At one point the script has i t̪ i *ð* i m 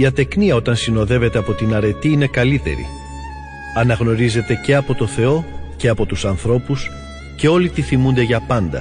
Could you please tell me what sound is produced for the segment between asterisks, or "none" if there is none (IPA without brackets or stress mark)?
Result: θ